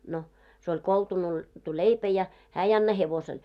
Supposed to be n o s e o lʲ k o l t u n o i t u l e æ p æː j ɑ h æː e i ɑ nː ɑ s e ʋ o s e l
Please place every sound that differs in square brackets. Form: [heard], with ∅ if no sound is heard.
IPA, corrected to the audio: n o s e o lʲ k o l t u n o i t u l e [i] p [æ] j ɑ h æː e i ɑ nː ɑ [h] e ʋ o s e l